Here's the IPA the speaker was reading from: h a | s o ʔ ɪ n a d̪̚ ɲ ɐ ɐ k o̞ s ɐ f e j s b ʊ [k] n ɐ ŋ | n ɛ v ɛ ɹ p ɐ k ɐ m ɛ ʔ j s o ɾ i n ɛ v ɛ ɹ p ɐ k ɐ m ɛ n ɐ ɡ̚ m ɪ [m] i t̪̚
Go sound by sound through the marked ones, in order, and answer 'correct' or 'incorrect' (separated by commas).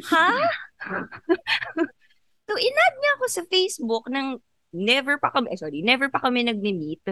correct, correct